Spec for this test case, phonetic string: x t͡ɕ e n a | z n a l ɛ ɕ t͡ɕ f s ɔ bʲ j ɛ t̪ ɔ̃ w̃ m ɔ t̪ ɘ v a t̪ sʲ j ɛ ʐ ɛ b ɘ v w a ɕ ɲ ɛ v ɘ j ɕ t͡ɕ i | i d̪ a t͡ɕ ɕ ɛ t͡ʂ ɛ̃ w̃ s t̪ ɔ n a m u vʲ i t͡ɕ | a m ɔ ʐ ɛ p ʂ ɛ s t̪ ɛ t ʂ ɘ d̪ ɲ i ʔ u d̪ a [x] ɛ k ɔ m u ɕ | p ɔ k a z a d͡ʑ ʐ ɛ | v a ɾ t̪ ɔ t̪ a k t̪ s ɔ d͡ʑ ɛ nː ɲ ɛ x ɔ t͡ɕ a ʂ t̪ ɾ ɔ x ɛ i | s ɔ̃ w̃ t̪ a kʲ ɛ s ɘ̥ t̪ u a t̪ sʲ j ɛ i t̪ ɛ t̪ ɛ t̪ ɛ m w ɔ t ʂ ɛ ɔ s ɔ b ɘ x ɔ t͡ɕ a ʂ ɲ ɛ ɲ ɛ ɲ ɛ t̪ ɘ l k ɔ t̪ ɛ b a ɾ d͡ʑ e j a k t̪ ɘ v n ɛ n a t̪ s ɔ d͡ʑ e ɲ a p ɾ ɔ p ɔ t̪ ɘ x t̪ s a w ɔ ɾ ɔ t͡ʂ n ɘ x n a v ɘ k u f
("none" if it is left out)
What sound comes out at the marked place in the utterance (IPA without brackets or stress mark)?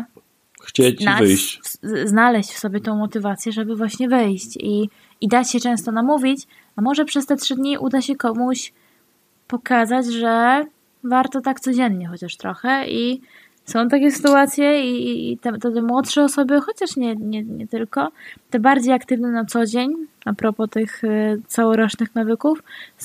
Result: ɕ